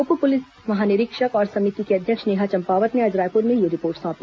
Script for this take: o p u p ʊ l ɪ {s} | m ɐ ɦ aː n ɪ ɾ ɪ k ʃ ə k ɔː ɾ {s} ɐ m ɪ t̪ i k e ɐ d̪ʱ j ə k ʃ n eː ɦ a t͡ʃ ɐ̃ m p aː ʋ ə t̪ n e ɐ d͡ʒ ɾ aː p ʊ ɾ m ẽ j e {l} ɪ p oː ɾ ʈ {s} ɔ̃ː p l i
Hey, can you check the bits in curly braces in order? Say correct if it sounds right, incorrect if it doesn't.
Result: correct, correct, incorrect: ɾ, correct

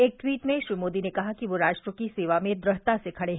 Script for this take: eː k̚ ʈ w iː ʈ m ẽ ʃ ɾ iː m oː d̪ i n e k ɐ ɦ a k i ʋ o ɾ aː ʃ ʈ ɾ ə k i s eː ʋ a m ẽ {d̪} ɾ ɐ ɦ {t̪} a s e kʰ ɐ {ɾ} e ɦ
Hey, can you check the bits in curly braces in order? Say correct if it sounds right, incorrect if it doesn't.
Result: correct, correct, incorrect: ɽ

